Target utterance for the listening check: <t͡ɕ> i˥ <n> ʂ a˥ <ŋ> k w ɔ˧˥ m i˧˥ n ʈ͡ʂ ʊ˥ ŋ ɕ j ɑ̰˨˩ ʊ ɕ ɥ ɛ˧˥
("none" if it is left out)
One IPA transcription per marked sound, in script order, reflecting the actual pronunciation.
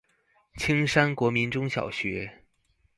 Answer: t͡ɕʰ, ŋ, n

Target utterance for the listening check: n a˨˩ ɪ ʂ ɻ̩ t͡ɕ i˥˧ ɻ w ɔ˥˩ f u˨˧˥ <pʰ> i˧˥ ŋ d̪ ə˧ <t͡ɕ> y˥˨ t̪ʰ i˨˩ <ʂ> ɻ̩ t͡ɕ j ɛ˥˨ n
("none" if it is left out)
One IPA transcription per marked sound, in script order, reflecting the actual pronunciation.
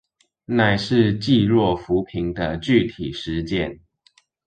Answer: pʰ, t͡ɕ, ʂ

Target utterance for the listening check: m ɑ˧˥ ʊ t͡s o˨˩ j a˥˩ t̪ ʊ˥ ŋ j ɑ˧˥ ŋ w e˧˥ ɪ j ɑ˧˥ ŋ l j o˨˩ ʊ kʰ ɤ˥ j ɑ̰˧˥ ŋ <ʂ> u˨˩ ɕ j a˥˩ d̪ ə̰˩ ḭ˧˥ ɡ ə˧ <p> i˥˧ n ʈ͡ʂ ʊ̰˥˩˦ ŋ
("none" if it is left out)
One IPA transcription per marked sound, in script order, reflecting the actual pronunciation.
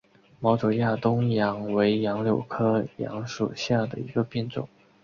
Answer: ʂ, p

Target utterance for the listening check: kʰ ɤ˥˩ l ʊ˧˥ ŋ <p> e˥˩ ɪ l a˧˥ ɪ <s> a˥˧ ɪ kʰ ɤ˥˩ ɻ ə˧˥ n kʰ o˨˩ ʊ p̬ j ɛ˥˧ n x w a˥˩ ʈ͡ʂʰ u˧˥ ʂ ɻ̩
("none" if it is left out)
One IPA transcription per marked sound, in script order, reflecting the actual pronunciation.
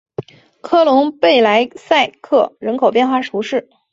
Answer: p, s

